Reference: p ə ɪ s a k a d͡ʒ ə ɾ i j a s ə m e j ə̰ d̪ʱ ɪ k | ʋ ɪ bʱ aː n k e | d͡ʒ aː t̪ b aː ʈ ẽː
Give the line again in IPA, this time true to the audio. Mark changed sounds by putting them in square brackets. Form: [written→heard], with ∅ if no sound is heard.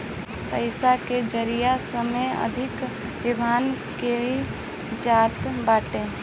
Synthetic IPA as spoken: p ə ɪ s a k [a→e] d͡ʒ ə ɾ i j a s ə m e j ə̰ d̪ʱ ɪ k | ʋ ɪ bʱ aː n k e | d͡ʒ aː t̪ b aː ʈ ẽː